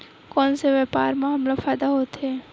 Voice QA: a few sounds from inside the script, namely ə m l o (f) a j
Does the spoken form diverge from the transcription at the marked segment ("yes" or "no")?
no